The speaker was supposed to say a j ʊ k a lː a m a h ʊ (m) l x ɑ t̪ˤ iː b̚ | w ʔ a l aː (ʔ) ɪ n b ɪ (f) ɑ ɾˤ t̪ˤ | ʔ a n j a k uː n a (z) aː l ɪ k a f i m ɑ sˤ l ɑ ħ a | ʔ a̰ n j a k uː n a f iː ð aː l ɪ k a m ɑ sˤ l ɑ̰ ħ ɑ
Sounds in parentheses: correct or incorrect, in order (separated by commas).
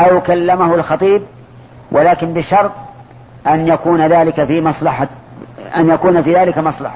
incorrect, incorrect, incorrect, incorrect